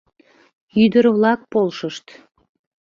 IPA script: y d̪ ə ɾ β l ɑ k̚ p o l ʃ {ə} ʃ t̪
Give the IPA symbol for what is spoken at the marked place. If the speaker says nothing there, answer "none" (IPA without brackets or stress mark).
ə